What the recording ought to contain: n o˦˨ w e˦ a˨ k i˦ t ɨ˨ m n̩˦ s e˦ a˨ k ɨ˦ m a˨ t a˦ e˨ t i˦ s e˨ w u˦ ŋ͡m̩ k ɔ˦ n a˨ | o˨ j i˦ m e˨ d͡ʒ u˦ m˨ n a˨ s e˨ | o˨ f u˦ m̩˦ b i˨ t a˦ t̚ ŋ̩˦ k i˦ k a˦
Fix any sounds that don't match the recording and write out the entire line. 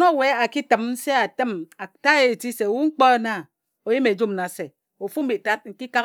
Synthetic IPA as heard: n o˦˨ w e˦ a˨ k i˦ t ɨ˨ m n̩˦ s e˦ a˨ t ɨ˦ m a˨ t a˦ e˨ t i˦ s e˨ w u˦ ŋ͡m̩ k͡p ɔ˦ n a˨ | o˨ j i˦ m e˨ d͡ʒ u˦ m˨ n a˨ s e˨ | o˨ f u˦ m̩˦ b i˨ t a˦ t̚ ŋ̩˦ k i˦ k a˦